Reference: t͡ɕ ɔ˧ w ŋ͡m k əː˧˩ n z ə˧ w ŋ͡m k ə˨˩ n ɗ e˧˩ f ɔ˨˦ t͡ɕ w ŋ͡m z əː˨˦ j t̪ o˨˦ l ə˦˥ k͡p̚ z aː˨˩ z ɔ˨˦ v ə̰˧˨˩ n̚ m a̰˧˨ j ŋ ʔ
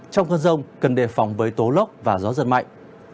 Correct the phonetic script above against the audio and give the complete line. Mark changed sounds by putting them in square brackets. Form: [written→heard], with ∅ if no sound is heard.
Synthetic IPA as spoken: t͡ɕ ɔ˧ w ŋ͡m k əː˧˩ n z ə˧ w ŋ͡m k ə˨˩ n ɗ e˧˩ f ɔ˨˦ [t͡ɕ→∅] w ŋ͡m [z→v] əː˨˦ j t̪ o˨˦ l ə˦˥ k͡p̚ [z→v] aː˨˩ z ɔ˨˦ [v→z] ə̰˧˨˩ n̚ m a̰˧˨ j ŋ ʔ